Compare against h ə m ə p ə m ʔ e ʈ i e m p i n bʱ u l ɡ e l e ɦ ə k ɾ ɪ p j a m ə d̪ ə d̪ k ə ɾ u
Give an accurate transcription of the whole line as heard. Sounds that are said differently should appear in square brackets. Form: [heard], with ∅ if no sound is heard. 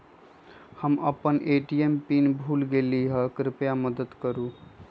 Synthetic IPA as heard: h ə m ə p ə [n] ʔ e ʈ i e m p i n bʱ u l ɡ e l [i] ɦ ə k ɾ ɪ p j a m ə d̪ ə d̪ k ə ɾ u